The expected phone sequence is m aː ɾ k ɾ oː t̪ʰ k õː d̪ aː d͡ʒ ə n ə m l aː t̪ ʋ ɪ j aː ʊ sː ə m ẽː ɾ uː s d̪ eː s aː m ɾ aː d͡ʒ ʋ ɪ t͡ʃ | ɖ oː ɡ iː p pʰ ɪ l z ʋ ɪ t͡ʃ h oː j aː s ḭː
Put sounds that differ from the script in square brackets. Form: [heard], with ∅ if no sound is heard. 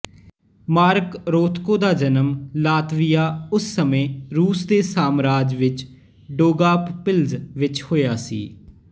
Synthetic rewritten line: m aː ɾ k ɾ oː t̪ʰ k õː d̪ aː d͡ʒ ə n ə m l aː t̪ ʋ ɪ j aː ʊ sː ə m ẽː ɾ uː s d̪ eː s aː m ɾ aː d͡ʒ ʋ ɪ t͡ʃ | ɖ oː ɡ [aː] p [p] ɪ l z ʋ ɪ t͡ʃ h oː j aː s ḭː